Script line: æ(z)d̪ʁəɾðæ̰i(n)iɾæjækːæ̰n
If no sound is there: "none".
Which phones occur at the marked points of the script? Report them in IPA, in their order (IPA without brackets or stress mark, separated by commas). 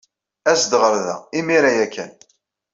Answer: s, m